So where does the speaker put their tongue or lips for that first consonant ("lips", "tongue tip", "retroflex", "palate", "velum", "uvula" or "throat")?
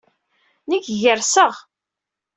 tongue tip